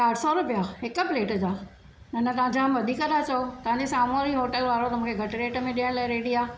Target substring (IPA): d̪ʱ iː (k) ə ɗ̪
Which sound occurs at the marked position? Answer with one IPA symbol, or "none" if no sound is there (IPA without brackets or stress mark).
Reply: k